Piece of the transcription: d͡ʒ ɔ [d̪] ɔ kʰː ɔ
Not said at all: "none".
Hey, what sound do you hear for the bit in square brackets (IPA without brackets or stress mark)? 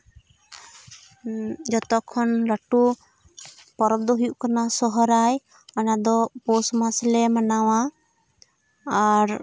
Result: t̪